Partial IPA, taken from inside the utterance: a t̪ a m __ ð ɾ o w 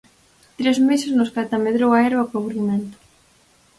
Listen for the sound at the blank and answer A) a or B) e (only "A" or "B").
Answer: B